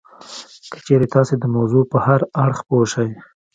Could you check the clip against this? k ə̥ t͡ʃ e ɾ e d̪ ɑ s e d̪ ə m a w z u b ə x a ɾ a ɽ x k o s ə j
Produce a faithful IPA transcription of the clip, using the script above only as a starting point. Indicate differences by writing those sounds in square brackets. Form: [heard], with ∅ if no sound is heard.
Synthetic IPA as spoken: k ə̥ t͡ʃ e ɾ e [t̪] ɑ s e d̪ ə m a w z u [p] ə [h] a ɾ a ɽ x [p] o [ʃ] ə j